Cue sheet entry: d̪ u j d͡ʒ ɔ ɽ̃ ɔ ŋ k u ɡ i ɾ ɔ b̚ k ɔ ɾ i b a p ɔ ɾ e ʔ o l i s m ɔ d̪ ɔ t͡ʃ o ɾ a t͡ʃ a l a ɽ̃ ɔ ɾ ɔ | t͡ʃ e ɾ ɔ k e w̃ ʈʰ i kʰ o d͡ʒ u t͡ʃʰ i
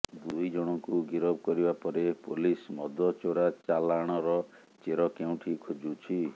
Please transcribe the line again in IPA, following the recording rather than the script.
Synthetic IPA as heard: d̪ u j d͡ʒ ɔ ɽ̃ ɔ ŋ k u ɡ i ɾ ɔ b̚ k ɔ ɾ i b a p ɔ ɾ e p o l i s m ɔ d̪ ɔ t͡ʃ o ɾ a t͡ʃ a l a ɽ̃ ɔ ɾ ɔ | t͡ʃ e ɾ ɔ k e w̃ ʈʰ i kʰ o d͡ʒ u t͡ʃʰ i